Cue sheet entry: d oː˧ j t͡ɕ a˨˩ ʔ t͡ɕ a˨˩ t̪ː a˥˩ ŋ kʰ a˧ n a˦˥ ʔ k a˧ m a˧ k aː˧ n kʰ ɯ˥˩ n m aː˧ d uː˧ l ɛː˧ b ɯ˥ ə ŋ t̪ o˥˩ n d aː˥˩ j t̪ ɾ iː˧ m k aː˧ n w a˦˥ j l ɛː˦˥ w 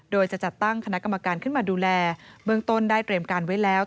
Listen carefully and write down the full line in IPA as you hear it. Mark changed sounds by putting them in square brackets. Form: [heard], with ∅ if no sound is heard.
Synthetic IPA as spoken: d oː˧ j t͡ɕ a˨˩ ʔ t͡ɕ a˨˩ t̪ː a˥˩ ŋ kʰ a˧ n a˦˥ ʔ k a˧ m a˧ k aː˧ n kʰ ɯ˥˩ n m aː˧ d uː˧ l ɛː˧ b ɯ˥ ə ŋ t̪ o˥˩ n d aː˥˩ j t̪ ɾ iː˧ m k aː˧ n w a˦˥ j l ɛː˦˥ w